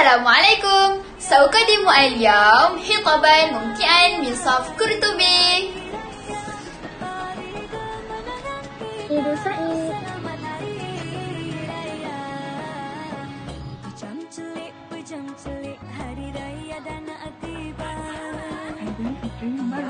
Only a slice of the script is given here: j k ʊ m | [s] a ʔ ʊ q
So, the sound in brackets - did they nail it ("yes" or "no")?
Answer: yes